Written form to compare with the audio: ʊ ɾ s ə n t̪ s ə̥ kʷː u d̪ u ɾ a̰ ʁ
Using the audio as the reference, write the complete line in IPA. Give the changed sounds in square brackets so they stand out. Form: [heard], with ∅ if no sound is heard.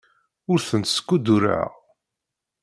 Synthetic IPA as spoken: ʊ ɾ [θ] ə n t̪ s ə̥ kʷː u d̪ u ɾ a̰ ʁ